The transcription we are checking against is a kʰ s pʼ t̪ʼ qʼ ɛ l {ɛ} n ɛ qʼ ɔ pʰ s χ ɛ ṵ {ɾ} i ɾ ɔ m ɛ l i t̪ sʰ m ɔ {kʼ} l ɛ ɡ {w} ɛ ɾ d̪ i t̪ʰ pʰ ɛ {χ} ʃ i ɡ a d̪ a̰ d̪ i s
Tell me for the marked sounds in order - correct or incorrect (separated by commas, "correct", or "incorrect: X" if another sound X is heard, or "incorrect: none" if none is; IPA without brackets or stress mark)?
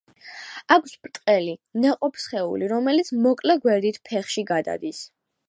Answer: incorrect: i, incorrect: l, correct, correct, correct